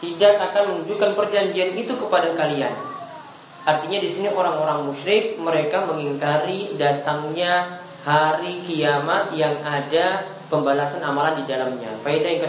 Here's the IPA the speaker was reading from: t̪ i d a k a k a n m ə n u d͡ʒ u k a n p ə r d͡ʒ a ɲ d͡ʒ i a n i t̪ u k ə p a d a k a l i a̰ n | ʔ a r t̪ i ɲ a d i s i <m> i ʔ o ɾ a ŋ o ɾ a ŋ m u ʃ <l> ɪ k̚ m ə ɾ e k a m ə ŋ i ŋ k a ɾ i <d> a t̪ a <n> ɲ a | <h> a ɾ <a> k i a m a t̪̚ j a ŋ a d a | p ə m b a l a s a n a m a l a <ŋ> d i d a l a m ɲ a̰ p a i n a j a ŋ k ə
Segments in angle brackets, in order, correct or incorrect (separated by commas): incorrect, incorrect, correct, incorrect, correct, incorrect, incorrect